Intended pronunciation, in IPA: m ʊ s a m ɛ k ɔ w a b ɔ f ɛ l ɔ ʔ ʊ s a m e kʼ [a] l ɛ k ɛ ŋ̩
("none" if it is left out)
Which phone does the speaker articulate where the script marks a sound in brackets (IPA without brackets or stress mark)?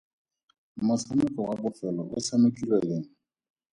i